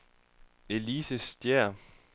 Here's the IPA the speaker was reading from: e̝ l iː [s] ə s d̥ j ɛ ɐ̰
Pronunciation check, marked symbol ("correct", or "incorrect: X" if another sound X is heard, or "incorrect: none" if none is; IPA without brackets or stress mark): correct